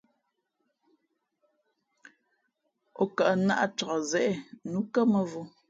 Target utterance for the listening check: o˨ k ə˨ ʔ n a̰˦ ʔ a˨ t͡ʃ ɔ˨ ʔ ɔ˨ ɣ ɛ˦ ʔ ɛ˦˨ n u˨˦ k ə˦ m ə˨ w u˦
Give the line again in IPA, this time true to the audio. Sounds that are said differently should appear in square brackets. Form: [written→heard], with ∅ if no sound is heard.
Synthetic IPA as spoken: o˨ k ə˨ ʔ n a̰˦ ʔ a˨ t͡ʃ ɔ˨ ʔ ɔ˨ [ɣ→z] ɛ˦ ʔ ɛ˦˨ n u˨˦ k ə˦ m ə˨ [w→v] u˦

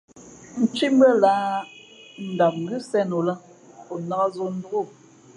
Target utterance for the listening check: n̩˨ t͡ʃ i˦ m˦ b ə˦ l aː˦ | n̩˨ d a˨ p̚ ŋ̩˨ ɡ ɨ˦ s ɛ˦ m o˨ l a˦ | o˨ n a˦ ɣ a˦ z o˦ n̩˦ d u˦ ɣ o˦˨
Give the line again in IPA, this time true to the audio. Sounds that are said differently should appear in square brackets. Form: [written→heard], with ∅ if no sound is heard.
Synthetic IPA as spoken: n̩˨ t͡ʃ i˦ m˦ b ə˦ l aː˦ | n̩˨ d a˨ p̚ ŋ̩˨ ɡ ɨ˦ s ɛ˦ [m→n] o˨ l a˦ | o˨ n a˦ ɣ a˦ z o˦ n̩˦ d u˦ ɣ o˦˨

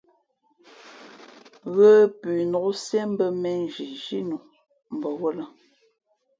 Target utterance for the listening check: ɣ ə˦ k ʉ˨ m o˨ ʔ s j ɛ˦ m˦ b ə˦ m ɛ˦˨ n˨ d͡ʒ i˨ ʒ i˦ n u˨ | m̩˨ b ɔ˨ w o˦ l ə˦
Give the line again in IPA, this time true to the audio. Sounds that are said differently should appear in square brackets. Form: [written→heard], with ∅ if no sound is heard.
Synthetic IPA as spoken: ɣ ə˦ [k→p] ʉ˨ [m→n] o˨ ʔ s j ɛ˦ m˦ b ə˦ m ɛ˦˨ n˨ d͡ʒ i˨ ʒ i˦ n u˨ | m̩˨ b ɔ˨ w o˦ l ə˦

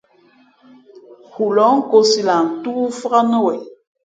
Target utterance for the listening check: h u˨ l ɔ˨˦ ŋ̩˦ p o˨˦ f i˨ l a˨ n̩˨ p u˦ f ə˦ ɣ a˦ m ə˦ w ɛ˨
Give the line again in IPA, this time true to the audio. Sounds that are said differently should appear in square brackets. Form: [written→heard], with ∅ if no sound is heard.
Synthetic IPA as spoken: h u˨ l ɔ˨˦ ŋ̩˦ [p→k] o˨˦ [f→s] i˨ l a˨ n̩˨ [p→t] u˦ f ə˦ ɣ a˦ [m→n] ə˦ w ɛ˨

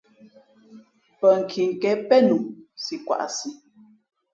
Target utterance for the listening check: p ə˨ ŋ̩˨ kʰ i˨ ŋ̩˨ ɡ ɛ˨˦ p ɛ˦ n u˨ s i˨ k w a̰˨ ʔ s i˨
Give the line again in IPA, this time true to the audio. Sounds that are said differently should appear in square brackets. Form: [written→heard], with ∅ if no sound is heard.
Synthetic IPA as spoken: p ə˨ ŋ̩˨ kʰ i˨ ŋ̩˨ [ɡ→k] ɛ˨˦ p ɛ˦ n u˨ s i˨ k w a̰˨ ʔ s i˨

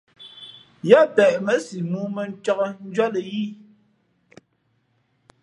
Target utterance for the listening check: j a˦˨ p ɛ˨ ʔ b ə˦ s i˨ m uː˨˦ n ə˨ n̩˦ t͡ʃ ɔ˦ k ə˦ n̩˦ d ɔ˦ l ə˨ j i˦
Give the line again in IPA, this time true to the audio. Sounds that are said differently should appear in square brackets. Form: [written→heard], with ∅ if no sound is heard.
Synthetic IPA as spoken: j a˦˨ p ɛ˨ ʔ [b→m] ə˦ s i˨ m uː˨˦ [n→m] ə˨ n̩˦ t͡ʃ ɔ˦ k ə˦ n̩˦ [d→d͡ʒ] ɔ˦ l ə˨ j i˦

